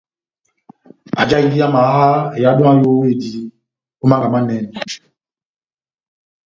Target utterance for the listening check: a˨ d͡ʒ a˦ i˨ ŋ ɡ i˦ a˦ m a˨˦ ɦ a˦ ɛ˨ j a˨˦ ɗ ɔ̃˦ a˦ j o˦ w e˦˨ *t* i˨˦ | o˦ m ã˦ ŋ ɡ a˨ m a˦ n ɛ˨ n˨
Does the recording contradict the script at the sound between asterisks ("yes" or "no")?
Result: yes